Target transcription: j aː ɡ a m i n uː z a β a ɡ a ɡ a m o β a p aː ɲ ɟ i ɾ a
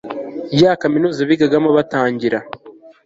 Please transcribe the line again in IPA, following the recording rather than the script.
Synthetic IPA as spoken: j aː k a m i n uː z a β i ɡ a ɡ a m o β a t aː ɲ ɟ i ɾ a